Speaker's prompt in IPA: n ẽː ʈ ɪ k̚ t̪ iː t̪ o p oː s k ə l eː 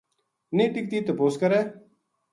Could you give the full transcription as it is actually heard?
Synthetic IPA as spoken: n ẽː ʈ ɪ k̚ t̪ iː t̪ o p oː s k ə ɾ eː